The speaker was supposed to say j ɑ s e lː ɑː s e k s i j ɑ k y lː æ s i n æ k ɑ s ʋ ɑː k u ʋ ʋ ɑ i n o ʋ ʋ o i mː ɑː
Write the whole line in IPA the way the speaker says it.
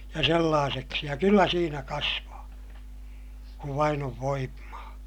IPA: j ɑ s e lː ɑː s e k s i j ɑ k y lː æ s iː n æ k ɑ s ʋ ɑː k u ʋ ʋ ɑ i n o ʋ ʋ o i mː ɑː